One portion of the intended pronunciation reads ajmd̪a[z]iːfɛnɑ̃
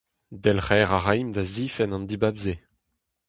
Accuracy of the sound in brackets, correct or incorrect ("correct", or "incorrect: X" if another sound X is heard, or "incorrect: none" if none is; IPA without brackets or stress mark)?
correct